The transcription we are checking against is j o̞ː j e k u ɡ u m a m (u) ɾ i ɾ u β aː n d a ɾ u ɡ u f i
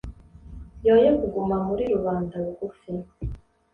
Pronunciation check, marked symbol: correct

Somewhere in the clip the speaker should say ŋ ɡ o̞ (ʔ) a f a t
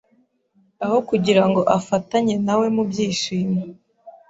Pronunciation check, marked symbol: correct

